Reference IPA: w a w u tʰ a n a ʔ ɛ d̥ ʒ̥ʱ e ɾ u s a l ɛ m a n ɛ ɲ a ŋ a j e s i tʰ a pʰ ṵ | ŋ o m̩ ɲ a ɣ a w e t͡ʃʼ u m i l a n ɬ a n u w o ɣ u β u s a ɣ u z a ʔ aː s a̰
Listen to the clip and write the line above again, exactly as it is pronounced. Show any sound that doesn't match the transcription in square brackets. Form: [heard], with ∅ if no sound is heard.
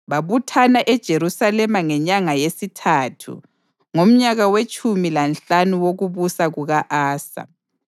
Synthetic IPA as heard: [β] a [β] u tʰ a n a ʔ ɛ d̥ ʒ̥ʱ e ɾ u s a l ɛ m a [ŋ] ɛ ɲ a ŋ a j e s i tʰ a [tʰ] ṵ | ŋ o m̩ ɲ a ɣ a w e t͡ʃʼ u m i l a n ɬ a n u w o ɣ u β u s a ɣ u [ɣ] a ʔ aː s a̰